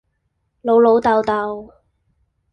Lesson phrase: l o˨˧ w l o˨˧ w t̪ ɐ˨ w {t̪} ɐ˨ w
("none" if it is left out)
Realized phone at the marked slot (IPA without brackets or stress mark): t̪